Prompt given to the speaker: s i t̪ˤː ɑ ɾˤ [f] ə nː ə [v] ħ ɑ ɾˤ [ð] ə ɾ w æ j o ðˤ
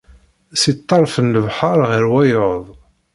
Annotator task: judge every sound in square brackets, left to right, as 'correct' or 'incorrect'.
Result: correct, correct, incorrect: ʁ

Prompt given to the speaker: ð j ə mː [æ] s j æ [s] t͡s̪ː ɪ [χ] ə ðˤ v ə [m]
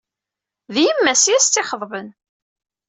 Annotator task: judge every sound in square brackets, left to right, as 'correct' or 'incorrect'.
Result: correct, correct, correct, incorrect: n

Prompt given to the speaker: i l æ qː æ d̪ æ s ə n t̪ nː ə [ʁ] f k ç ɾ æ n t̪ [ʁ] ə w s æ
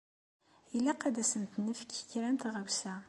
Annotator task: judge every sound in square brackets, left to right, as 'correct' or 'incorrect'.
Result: incorrect: none, correct

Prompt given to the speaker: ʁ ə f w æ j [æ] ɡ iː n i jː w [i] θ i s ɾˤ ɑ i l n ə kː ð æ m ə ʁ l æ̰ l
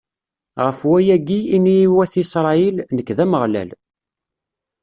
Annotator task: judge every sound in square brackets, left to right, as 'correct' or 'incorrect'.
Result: correct, incorrect: æ

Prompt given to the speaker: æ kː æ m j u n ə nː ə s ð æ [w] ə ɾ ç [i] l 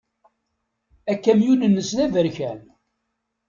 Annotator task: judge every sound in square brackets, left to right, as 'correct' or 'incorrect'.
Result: incorrect: v, incorrect: æ

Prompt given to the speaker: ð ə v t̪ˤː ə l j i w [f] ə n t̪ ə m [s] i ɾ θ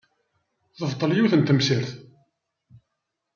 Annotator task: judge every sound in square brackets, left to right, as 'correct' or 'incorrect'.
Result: incorrect: θ, correct

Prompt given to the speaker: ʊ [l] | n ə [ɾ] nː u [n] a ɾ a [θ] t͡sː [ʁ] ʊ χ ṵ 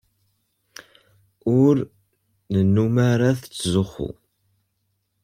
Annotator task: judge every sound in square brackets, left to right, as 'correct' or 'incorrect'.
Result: incorrect: ɾ, incorrect: none, incorrect: m, correct, incorrect: z

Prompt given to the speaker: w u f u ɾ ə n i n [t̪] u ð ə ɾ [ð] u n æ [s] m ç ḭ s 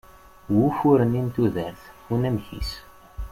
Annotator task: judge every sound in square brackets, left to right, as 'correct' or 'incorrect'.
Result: correct, incorrect: θ, incorrect: none

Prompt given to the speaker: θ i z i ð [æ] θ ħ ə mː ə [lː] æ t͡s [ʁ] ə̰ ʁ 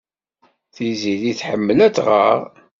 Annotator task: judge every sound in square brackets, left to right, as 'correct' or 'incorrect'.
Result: incorrect: i, incorrect: l, correct

